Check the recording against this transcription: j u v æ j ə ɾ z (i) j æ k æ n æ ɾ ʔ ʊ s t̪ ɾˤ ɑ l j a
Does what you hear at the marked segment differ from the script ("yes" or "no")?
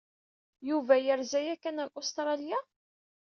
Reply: yes